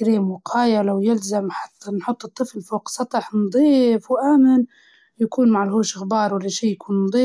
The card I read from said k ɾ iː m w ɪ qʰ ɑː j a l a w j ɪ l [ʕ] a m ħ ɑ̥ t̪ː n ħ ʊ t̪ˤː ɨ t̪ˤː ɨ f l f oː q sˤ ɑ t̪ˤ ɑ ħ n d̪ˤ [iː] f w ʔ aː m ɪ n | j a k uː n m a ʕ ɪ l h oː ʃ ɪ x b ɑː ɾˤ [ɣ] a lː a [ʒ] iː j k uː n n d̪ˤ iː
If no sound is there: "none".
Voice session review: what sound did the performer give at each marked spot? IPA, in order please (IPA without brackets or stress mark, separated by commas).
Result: z, iː, w, ʃ